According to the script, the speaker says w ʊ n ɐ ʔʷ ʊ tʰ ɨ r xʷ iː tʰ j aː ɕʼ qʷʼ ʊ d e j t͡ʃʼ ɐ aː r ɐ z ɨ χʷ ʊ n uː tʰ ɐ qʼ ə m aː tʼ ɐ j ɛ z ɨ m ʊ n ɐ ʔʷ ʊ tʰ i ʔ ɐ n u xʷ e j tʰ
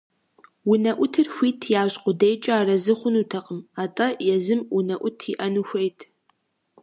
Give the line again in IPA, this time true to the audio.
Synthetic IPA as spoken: w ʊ n ɐ ʔʷ ʊ tʰ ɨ r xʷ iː tʰ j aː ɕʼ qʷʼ ʊ d e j t͡ʃʼ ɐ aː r ɐ z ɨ χʷ ʊ n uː tʰ ɐ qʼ ə m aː tʼ ɐ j ɛ z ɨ m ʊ n ɐ ʔʷ ʊ tʰ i ʔ ɐ n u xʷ e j tʰ